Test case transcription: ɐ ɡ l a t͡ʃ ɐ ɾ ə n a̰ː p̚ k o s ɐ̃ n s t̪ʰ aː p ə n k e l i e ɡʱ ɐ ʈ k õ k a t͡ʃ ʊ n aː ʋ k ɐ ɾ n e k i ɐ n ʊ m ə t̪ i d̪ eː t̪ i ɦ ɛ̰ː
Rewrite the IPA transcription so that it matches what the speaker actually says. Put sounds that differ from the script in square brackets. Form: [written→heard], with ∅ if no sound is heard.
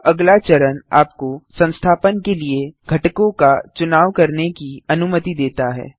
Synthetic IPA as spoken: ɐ ɡ l a t͡ʃ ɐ ɾ ə n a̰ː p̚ k o s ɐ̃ n s t̪ʰ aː p ə n k e l i e ɡʱ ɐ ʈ k õ k a t͡ʃ ʊ n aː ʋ k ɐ ɾ n e k i ɐ n ʊ m ə t̪ i d̪ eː t̪ [i→a] ɦ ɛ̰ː